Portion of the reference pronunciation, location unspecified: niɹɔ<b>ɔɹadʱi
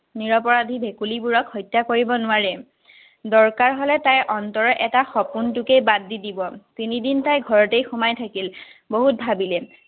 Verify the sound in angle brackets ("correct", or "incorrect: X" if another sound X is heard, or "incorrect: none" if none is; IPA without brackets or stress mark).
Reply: incorrect: p